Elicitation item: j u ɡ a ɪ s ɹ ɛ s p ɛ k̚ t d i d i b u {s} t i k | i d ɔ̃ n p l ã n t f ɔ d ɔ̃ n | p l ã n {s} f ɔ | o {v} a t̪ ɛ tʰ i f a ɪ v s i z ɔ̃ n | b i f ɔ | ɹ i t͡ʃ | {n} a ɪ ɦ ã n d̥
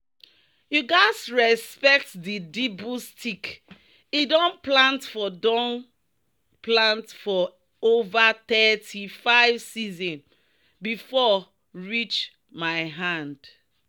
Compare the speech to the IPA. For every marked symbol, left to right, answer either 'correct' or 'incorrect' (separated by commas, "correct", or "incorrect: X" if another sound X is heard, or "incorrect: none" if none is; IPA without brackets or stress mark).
correct, incorrect: t, correct, incorrect: m